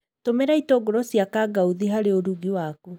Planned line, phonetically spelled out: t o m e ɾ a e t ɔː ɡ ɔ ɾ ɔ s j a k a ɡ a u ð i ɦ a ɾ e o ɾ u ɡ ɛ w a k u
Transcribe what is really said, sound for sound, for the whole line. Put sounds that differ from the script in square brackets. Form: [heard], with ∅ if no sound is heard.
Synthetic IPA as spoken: t o m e ɾ a [i] t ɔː ɡ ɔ ɾ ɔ s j a k a ɡ a u ð i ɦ a ɾ e o ɾ u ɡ [i] w a k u